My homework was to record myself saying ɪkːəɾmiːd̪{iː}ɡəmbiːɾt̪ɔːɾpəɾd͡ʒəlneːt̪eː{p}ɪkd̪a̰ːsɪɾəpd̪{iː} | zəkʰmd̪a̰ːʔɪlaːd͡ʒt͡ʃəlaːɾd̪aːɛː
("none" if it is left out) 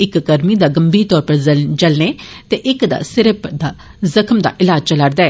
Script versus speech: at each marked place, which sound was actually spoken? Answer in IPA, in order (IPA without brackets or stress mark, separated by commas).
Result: aː, ʔ, aː